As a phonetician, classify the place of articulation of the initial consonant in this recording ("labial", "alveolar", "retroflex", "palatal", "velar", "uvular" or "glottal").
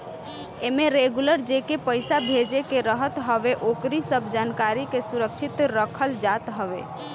labial